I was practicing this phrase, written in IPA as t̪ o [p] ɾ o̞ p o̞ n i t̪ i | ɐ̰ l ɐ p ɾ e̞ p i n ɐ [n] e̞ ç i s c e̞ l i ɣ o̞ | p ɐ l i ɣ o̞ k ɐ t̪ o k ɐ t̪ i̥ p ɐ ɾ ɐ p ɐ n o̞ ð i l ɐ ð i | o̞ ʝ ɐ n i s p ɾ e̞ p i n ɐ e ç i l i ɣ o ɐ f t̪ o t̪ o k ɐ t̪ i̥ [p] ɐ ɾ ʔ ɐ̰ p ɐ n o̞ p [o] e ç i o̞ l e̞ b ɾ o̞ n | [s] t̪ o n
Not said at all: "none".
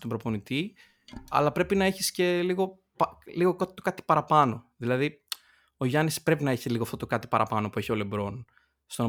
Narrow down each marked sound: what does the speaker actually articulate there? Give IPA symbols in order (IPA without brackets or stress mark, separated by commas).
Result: b, none, p, u, s